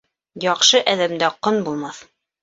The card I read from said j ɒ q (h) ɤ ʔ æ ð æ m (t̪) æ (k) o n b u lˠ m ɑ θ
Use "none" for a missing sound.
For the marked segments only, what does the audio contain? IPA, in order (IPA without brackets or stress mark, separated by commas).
ʃ, d̪, q